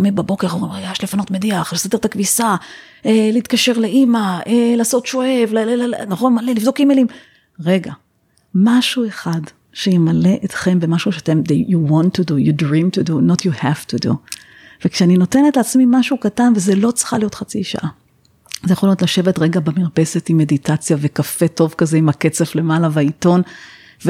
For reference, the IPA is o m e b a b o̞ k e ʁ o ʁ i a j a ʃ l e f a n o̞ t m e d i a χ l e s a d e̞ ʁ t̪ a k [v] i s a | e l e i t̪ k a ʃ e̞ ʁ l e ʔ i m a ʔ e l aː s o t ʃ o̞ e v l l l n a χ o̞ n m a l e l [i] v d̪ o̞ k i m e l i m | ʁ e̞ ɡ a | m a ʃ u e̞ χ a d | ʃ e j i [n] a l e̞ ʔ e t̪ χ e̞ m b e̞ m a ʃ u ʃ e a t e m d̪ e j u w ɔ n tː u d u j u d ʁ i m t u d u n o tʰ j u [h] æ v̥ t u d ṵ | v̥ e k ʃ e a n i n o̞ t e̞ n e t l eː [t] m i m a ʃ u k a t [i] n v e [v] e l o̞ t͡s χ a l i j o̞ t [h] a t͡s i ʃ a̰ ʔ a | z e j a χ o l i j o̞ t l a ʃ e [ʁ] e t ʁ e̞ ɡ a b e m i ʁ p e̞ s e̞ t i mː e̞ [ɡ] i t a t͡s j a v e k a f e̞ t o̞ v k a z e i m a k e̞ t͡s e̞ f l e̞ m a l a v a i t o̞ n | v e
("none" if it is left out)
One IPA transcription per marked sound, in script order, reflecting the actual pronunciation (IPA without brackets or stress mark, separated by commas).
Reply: v, i, m, h, t͡s, a, z, χ, v, d